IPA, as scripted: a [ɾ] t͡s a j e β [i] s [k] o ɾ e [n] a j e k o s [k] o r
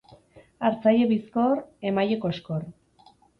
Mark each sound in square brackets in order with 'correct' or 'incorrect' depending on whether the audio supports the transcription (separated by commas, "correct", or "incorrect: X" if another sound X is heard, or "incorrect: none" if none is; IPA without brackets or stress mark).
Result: correct, correct, correct, incorrect: m, correct